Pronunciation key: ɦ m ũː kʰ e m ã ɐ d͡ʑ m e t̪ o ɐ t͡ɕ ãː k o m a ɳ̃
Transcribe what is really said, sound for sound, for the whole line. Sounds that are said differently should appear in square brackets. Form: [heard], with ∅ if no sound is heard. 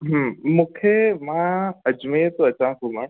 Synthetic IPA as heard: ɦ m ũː kʰ e m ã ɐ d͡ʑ m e t̪ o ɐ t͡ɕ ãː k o m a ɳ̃